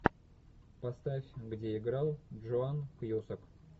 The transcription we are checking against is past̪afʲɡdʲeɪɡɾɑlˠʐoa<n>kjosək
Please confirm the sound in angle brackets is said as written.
yes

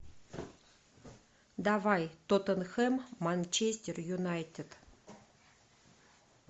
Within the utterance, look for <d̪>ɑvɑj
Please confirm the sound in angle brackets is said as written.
yes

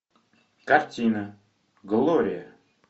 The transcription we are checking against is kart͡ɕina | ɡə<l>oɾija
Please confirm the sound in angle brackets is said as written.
yes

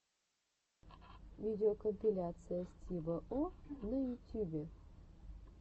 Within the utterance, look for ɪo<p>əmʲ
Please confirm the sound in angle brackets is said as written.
no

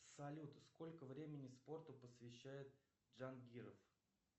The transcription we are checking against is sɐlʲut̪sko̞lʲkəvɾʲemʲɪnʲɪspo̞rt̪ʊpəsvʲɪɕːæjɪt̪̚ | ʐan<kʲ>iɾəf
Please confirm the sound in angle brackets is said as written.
no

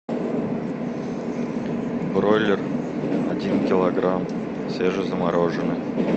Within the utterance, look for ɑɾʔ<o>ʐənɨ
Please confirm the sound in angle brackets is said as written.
yes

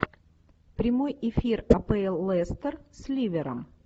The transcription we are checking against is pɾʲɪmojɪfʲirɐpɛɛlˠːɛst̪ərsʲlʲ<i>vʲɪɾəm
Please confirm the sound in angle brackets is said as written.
yes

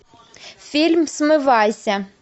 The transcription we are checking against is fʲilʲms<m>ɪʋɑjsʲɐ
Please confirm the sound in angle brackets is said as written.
yes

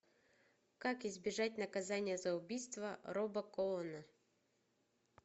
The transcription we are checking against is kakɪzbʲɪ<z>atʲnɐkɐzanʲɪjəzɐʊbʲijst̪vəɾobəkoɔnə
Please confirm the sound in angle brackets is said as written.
no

